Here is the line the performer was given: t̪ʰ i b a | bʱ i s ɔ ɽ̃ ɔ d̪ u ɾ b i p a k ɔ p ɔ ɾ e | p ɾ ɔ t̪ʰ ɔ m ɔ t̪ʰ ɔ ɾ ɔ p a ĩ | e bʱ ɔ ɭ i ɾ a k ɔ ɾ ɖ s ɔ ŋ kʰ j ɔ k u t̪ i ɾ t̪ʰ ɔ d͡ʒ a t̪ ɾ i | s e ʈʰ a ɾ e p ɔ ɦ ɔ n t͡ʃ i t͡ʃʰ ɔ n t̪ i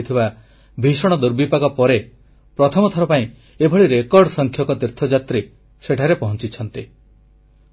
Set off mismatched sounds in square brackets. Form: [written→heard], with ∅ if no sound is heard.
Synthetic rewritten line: t̪ʰ i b a | bʱ i s ɔ ɽ̃ ɔ d̪ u ɾ b i p a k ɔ p ɔ ɾ e | p ɾ ɔ t̪ʰ ɔ m ɔ t̪ʰ ɔ ɾ ɔ p a ĩ | e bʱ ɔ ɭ i ɾ [a→e] k ɔ ɾ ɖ s ɔ ŋ kʰ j ɔ k [u→ɔ] t̪ i ɾ t̪ʰ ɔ d͡ʒ a t̪ ɾ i | s e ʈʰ a ɾ e p ɔ ɦ ɔ n t͡ʃ i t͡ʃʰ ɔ n t̪ i